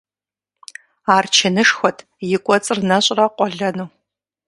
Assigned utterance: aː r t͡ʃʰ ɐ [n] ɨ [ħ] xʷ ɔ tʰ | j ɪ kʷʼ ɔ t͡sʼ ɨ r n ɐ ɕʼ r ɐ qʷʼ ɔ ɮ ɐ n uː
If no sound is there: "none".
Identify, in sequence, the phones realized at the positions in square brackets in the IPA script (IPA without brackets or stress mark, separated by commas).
n, ʂ